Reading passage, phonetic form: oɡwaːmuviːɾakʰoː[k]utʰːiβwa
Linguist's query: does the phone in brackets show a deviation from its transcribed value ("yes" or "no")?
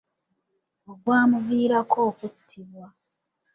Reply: no